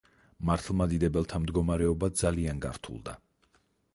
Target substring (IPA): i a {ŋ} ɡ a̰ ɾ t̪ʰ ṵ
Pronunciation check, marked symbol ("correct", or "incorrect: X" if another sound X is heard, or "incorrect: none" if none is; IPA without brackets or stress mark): incorrect: n